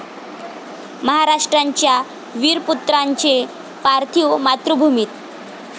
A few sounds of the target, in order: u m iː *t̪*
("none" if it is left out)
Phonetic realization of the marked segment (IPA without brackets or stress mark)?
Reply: t̪